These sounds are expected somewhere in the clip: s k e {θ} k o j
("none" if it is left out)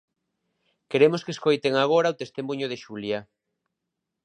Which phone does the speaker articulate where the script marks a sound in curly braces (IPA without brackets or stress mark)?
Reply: s